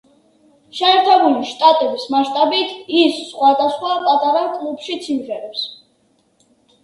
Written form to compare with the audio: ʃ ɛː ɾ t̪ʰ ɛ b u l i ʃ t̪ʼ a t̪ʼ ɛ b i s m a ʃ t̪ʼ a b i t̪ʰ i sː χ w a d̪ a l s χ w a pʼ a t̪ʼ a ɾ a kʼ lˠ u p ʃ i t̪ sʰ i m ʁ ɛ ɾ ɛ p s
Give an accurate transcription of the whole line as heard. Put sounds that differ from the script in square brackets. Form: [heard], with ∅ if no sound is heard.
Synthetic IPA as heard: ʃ ɛː ɾ t̪ʰ ɛ b u l i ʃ t̪ʼ a t̪ʼ ɛ b i s m a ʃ t̪ʼ a b i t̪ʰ i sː χ w a d̪ a [∅] s χ w a pʼ a t̪ʼ a ɾ a kʼ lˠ u p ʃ i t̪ sʰ i m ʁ ɛ ɾ ɛ p s